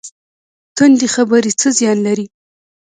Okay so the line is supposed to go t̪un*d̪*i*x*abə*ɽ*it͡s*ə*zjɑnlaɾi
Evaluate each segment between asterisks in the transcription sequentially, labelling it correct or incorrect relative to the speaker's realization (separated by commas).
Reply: correct, correct, incorrect, correct